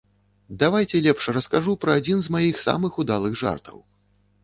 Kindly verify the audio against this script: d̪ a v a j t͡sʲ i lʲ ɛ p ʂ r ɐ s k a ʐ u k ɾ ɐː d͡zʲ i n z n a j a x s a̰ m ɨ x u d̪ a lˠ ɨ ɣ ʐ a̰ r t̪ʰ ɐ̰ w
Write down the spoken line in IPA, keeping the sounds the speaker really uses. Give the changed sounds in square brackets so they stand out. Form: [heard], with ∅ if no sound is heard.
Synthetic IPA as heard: d̪ a v a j t͡sʲ [ɛ] lʲ ɛ p ʂ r ɐ s k a ʐ u [p] ɾ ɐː d͡zʲ i n z [m] a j [i] x s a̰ m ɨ x u d̪ a lˠ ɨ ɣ ʐ a̰ r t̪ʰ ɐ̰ w